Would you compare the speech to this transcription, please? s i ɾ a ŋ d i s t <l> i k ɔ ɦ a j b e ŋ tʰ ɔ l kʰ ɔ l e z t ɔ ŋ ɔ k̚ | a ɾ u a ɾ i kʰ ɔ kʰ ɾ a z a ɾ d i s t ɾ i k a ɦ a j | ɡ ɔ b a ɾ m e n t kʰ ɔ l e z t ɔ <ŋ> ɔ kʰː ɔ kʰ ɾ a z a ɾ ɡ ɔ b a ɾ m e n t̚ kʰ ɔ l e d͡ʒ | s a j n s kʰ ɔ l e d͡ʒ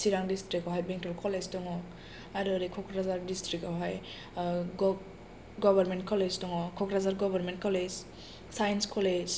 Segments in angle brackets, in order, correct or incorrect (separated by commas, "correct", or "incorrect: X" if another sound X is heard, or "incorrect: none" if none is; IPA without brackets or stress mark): incorrect: ɾ, correct